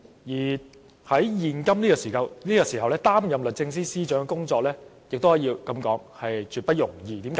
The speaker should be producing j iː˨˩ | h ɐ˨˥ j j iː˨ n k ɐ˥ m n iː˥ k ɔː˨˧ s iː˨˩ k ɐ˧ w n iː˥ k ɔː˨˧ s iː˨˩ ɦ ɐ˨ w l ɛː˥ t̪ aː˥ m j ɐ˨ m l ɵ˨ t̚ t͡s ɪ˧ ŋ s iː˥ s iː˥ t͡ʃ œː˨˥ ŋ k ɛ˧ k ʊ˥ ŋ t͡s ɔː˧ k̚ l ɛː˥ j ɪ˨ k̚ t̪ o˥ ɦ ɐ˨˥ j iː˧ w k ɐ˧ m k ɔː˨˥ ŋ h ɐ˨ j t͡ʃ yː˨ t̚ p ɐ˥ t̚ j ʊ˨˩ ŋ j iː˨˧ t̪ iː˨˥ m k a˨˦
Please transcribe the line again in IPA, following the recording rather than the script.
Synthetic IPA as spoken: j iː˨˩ | h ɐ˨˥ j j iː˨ n k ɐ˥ m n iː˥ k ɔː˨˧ s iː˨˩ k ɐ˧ w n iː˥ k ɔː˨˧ s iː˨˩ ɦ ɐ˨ w l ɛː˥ t̪ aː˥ m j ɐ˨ m l ɵ˨ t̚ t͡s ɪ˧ ŋ s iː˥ s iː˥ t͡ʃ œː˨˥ ŋ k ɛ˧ k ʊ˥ ŋ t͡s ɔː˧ k̚ l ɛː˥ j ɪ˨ k̚ t̪ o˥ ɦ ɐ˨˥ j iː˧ w k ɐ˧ m k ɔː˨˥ ŋ h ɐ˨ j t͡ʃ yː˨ t̚ p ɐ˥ t̚ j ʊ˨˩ ŋ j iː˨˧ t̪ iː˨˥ m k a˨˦